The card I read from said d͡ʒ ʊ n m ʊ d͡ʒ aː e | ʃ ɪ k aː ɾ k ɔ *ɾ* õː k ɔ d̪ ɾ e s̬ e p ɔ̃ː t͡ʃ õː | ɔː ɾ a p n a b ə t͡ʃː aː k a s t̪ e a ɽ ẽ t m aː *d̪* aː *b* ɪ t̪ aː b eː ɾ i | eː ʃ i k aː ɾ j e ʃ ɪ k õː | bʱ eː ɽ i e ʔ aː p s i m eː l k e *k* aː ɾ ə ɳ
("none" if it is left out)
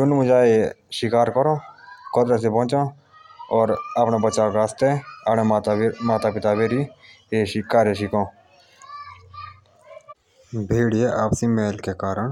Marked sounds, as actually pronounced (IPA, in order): ɾ, t̪, p, k

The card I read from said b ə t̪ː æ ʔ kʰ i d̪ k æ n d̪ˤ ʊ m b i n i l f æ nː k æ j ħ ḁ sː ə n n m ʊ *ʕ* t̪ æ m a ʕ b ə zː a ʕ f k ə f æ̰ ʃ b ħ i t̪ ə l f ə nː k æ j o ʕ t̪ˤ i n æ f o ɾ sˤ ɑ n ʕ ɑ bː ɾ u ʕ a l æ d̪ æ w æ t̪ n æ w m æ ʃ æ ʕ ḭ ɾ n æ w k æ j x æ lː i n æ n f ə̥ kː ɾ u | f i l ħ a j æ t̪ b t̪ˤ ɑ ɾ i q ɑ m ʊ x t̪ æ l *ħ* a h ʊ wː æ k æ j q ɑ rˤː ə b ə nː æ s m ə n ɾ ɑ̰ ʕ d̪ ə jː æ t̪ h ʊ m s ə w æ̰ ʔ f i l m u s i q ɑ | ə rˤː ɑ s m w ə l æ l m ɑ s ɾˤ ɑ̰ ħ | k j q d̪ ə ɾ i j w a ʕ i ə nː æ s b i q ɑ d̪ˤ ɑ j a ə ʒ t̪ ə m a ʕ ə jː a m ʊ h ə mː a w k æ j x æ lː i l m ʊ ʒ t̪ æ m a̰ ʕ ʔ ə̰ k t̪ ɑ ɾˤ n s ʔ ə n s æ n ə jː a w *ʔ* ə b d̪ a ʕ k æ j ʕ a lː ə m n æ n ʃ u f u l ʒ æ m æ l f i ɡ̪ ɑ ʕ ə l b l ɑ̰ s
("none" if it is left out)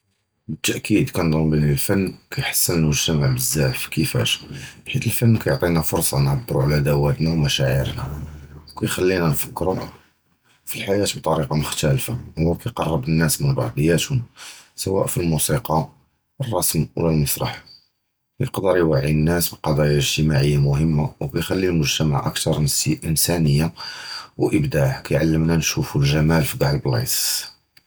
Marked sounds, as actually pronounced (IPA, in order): ʒ, f, ʔ

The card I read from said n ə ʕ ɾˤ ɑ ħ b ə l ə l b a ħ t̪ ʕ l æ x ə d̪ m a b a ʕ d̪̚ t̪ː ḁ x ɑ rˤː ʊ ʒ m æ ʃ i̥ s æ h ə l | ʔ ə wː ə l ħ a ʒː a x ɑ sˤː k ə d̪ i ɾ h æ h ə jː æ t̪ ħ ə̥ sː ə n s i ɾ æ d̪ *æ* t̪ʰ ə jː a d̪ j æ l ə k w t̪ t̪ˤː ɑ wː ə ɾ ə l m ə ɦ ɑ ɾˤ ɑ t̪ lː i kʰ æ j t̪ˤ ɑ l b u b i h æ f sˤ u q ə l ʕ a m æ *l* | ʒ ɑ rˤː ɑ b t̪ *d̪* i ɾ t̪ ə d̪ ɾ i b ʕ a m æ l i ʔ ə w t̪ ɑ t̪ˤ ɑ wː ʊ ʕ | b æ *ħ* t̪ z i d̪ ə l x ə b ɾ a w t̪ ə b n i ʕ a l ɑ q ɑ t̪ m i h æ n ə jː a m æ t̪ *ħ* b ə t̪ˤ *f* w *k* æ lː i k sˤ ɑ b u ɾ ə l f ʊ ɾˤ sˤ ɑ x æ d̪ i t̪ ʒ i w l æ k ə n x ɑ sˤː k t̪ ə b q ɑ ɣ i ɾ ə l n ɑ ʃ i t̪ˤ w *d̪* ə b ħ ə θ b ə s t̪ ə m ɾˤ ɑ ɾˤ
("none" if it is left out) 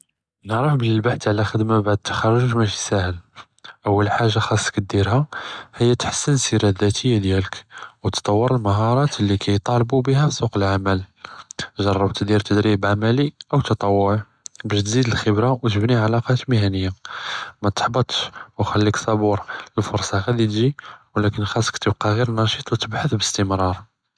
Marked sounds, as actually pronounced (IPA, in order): æ, l, d̪, ʃ, ħ, ʃ, x, t̪

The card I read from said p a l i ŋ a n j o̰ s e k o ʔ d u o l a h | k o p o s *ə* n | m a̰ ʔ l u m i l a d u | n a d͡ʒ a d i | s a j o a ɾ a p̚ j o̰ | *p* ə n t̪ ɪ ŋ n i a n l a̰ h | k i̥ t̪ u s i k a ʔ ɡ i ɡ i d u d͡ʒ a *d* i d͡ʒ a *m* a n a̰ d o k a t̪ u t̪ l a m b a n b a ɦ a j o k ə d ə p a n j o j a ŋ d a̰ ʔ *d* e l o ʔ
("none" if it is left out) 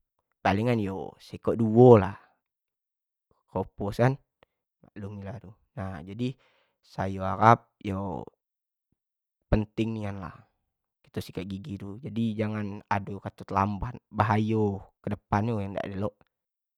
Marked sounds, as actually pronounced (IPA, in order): a, p, d, ŋ, d

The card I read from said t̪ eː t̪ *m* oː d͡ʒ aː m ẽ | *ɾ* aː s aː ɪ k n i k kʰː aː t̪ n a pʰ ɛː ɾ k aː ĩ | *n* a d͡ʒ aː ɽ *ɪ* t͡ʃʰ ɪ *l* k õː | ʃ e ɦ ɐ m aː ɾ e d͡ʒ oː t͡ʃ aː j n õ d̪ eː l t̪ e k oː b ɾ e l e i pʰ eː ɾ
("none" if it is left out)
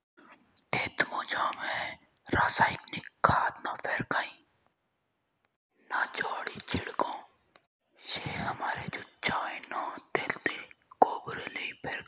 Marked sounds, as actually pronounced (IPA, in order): m, ɾ, n, i, ɽ

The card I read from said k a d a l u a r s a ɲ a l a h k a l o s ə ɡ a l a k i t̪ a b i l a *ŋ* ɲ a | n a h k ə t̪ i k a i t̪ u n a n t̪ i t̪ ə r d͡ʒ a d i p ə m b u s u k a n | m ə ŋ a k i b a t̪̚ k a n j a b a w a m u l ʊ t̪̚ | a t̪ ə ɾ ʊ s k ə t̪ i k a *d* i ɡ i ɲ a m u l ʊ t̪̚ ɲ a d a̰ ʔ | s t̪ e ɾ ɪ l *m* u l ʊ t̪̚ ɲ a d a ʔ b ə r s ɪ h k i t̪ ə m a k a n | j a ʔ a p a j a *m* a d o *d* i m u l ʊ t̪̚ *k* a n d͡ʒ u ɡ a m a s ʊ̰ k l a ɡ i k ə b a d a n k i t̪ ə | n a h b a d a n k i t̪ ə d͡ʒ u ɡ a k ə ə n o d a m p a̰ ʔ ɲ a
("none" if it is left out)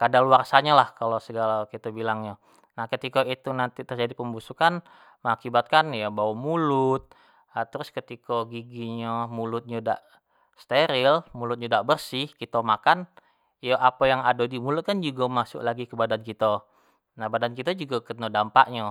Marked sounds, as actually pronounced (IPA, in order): ŋ, ɡ, m, ŋ, d, k

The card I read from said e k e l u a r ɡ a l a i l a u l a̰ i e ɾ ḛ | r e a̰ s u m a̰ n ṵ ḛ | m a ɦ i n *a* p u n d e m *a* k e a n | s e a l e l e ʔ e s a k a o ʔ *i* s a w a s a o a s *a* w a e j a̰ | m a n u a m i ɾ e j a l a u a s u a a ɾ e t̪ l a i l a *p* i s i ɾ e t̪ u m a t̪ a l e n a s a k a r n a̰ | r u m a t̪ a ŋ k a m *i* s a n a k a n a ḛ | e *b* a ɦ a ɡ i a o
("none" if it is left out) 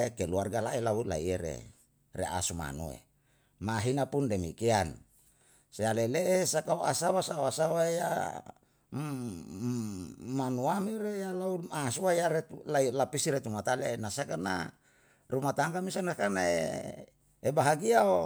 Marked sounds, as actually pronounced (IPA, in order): a, i, a, a, p, i, b

